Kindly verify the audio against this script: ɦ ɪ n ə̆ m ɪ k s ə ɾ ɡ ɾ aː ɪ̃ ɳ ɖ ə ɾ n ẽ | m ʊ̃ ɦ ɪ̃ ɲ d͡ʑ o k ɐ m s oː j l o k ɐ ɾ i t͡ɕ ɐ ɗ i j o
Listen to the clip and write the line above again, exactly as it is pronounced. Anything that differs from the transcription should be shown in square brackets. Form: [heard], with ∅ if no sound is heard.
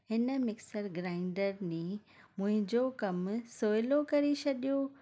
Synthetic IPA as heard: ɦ ɪ n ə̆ m ɪ k s ə ɾ ɡ ɾ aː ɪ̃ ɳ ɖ ə ɾ n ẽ | m ʊ̃ ɦ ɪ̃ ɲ d͡ʑ o k ɐ m s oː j l o k ɐ ɾ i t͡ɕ ɐ ɗ i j o